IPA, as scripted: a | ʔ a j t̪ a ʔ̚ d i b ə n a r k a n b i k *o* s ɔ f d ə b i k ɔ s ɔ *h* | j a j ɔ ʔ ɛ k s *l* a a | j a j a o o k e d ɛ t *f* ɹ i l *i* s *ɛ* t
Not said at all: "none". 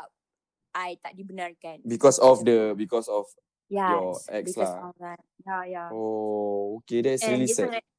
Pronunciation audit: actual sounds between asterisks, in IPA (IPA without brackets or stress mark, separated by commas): ɔ, f, l, s, i, ɛ